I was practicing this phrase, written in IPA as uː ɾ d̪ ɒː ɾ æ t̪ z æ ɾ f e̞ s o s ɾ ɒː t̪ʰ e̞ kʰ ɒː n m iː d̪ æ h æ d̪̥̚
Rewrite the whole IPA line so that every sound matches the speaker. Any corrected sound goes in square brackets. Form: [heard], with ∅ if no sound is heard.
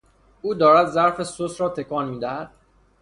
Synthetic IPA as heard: uː [∅] d̪ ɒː ɾ æ [d̪] z æ ɾ f e̞ s o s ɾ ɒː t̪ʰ e̞ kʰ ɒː n m iː d̪ æ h æ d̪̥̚